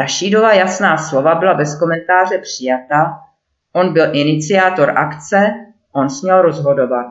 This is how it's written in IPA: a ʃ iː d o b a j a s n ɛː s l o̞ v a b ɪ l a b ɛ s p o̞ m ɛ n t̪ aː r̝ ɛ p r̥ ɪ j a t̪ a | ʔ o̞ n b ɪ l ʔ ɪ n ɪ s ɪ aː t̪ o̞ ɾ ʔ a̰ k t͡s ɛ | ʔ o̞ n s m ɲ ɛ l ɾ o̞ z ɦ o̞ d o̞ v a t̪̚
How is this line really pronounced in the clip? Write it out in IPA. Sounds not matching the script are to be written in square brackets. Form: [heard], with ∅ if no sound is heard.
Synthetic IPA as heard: a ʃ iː d o [v] a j a s n [aː] s l o̞ v a b ɪ l a b ɛ s [k] o̞ m ɛ n t̪ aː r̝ ɛ p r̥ ɪ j a t̪ a | ʔ o̞ n b ɪ l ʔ ɪ n ɪ [t͡s] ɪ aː t̪ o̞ ɾ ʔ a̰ k t͡s ɛ | ʔ o̞ n s m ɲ ɛ l ɾ o̞ z ɦ o̞ d o̞ v a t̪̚